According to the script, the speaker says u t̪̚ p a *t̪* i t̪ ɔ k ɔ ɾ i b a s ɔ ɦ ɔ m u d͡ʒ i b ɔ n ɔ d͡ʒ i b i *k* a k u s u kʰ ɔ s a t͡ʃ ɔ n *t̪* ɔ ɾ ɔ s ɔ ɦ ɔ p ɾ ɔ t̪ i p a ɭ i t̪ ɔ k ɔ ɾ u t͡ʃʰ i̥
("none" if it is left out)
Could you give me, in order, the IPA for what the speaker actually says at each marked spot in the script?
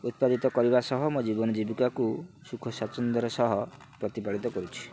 d̪, k, d̪

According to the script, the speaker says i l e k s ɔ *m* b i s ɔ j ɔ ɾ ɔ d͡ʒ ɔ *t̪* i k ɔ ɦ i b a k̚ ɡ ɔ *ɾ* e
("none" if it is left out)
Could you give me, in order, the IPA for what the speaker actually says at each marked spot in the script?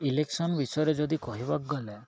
n, d̪, l

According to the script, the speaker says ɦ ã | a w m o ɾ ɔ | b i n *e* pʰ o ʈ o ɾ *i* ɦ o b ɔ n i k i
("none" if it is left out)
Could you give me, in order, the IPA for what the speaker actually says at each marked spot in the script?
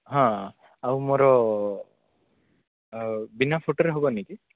a, e

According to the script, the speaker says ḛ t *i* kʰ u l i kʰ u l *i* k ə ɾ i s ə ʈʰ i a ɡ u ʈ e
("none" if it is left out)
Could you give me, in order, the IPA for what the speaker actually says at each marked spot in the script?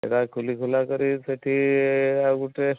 a, a

